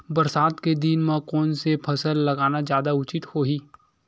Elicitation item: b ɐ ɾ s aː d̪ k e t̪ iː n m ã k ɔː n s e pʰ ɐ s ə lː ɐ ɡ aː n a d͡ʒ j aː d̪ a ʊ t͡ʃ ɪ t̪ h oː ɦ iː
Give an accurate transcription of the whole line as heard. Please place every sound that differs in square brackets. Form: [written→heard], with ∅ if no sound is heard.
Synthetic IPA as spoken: b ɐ ɾ s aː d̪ k e [t̪→d̪] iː n m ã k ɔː n s e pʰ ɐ s ə lː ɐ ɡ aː n a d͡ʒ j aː d̪ a ʊ t͡ʃ ɪ t̪ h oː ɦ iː